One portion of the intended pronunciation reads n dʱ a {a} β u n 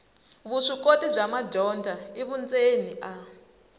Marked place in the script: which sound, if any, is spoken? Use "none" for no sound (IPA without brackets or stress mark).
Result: i